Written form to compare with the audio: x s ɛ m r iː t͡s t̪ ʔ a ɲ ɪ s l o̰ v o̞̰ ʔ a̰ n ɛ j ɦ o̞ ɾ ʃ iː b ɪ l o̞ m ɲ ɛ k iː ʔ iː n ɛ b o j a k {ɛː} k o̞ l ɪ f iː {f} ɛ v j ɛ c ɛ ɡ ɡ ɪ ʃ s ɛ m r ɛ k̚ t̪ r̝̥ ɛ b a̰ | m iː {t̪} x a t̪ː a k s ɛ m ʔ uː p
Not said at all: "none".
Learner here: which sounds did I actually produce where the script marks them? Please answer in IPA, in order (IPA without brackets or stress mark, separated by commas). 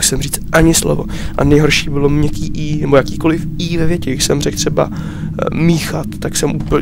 iː, v, none